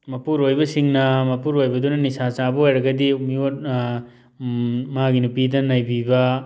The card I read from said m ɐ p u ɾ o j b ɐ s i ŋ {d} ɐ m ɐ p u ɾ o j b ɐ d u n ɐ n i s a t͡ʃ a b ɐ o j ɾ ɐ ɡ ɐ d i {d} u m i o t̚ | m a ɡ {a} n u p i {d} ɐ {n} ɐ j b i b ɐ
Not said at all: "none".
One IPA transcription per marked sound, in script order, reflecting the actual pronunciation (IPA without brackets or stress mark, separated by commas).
n, none, i, d, n